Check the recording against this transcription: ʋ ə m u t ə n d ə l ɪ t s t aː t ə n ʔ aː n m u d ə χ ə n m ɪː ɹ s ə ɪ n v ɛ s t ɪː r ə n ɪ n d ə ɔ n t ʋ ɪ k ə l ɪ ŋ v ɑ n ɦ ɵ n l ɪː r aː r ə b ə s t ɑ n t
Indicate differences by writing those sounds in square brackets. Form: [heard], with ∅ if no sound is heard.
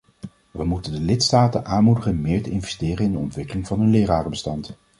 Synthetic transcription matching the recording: ʋ ə m u t ə n d ə l ɪ t s t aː t ə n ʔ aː n m u d ə χ ə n m ɪː ɹ [t] ə ɪ n v ɛ s t ɪː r ə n ɪ n d ə ɔ n t ʋ ɪ k ə l ɪ ŋ v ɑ n ɦ ɵ n l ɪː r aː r ə b ə s t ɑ n t

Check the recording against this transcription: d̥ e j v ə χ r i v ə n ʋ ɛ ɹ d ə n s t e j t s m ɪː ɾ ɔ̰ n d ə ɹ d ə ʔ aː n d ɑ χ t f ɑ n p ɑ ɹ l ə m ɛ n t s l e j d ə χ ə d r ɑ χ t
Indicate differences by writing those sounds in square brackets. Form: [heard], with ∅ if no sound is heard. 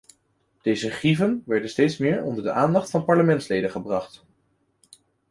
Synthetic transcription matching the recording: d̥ e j [z] ə χ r i v ə n ʋ ɛ ɹ d ə n s t e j t s m ɪː [ɹ] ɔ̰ n d ə ɹ d ə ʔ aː n d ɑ χ t f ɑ n p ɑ ɹ l ə m ɛ n t s l e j d ə χ ə [b] r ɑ χ t

